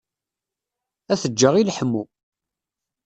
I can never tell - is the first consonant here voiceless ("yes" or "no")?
yes